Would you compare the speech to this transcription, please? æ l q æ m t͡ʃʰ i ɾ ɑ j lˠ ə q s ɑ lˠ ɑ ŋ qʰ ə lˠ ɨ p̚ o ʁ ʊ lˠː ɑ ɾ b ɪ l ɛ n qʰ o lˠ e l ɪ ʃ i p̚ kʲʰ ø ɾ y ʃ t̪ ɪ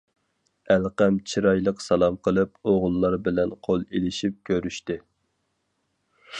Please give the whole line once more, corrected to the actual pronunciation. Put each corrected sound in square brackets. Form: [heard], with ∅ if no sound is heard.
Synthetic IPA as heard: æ l q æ m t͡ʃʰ i ɾ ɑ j lˠ ə q s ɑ lˠ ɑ [m] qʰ ə lˠ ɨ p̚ o ʁ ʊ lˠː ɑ ɾ b ɪ l ɛ n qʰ o lˠ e l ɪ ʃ i p̚ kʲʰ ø ɾ y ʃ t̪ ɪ